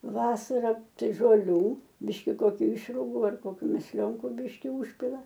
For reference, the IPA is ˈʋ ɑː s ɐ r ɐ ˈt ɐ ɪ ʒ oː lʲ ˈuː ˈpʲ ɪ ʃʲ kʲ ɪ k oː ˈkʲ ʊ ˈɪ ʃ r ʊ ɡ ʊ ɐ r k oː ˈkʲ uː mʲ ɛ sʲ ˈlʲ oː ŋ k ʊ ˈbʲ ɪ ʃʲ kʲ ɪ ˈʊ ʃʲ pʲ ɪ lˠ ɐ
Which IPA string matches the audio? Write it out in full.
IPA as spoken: ˈʋ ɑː s ɐ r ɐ ˈt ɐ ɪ ʒ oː lʲ ˈuː ˈbʲ ɪ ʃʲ kʲ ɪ k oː ˈkʲ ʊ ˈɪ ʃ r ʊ ɡ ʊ ɐ r k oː ˈkʲ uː mʲ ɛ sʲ ˈlʲ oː ŋ k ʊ ˈbʲ ɪ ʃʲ kʲ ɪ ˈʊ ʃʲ pʲ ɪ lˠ ɐ